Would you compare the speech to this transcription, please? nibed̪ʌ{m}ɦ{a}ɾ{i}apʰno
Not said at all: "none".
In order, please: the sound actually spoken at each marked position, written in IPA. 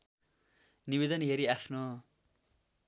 n, e, i

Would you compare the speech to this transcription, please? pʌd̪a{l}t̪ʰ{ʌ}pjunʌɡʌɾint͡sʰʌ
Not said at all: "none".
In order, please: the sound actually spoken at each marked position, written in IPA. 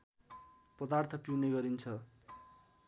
r, ʌ

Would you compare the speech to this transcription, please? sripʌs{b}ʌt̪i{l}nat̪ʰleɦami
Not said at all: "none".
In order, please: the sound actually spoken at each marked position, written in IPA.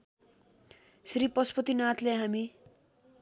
p, none

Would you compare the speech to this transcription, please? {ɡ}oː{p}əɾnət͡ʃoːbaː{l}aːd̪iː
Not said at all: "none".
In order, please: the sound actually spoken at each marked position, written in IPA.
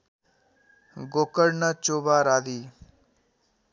ɡ, k, ɾ

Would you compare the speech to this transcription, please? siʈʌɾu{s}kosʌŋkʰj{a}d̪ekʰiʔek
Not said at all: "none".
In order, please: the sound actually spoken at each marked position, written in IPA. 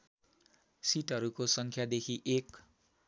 none, a

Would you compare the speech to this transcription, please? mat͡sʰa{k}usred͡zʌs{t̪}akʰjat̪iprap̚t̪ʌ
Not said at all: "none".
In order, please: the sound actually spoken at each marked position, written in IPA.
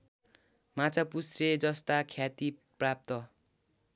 p, t̪

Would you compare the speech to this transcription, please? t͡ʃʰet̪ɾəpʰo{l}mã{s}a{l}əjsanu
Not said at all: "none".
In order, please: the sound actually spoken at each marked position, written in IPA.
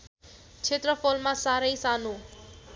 l, s, ɾ

